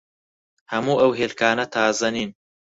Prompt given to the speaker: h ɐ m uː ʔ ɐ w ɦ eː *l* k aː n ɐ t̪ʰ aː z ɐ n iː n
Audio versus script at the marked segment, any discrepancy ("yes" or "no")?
no